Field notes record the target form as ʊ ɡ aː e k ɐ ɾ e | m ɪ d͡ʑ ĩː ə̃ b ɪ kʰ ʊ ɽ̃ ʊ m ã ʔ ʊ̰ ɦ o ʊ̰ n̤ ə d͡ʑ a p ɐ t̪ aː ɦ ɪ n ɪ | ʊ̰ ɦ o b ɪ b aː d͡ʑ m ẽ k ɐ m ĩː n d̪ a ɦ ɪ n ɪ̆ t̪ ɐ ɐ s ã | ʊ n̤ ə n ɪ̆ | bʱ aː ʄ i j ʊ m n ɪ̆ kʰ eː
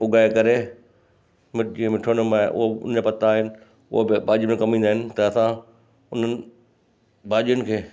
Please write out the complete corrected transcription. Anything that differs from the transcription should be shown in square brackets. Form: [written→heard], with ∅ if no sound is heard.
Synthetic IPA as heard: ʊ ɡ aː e k ɐ ɾ e | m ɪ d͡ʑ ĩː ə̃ [b→m] ɪ [kʰ→ʈʰ] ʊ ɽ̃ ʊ m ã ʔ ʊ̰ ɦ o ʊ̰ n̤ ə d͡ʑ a p ɐ t̪ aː ɦ ɪ n ɪ | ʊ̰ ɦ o b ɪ b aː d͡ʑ m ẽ k ɐ m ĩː n d̪ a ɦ ɪ n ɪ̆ t̪ ɐ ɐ s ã | ʊ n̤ ə n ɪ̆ | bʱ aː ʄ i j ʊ [m→∅] n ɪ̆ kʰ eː